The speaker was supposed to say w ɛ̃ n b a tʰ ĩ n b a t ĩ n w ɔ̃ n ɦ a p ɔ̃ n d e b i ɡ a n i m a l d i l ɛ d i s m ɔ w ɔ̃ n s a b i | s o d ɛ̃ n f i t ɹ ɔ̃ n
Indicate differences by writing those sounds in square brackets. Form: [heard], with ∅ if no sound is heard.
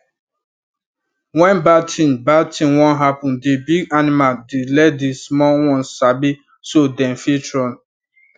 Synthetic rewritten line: w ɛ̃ n b a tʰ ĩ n b a t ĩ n w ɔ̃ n ɦ a p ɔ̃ n d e b i ɡ a n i m a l d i l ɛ d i s m ɔ w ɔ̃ n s a b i | s o d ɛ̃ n f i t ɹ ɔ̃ n